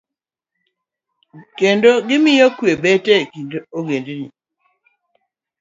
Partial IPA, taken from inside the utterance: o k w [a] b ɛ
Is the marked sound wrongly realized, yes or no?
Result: yes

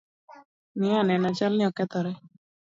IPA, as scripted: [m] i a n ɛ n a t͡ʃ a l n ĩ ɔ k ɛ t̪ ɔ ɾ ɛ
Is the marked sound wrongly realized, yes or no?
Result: yes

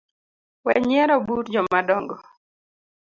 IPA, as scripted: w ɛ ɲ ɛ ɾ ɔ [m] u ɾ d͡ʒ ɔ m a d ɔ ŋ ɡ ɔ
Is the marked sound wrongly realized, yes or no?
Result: yes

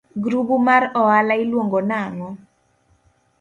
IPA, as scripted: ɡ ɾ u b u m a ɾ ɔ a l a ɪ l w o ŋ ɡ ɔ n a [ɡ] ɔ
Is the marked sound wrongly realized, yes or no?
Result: yes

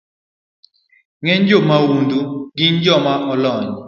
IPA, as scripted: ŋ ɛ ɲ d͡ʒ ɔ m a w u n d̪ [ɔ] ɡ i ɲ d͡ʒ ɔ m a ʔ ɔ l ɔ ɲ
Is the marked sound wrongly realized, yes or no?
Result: yes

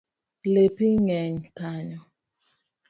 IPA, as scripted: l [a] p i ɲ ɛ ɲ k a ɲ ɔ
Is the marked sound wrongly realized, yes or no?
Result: yes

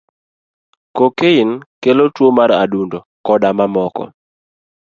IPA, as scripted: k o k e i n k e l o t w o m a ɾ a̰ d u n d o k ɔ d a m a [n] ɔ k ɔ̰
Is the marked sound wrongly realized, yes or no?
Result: yes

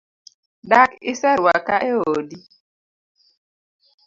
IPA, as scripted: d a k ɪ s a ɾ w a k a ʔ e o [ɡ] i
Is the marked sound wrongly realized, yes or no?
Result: yes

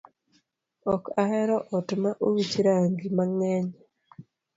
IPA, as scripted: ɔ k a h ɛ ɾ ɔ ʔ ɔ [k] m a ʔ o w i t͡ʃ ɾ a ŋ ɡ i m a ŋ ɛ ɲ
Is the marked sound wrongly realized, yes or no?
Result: yes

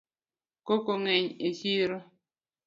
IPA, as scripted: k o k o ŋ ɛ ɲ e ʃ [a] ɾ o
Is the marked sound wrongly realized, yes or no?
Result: yes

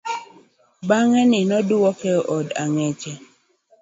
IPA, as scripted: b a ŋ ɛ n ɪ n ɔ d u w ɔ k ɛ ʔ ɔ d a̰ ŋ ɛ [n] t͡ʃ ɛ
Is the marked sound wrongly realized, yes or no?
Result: yes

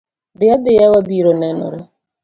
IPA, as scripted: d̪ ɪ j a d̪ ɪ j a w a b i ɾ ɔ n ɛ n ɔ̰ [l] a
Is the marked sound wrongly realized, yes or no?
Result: yes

